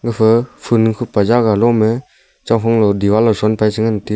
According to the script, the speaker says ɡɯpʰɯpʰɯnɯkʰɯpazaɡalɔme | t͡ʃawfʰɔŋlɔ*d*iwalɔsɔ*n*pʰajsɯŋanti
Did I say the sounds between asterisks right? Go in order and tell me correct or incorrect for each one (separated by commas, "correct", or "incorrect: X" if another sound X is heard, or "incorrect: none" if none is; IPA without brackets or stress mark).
correct, correct